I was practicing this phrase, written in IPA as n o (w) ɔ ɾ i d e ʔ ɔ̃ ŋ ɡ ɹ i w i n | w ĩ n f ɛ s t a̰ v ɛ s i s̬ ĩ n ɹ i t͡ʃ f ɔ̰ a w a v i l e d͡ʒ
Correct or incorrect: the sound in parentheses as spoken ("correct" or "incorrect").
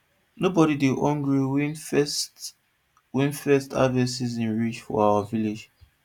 incorrect